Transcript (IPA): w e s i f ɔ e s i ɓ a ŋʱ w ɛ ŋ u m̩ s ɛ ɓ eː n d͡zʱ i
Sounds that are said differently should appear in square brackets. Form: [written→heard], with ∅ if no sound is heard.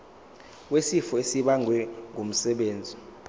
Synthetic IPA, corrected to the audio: w e s i f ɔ e s i ɓ a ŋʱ w ɛ ŋ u m̩ s ɛ ɓ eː n d͡zʱ i